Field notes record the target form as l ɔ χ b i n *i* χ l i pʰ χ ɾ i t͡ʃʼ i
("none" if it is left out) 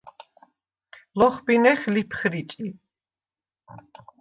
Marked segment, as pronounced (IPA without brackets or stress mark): ɛ